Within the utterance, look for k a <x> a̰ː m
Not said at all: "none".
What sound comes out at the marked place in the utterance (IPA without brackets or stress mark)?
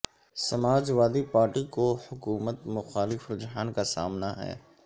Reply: s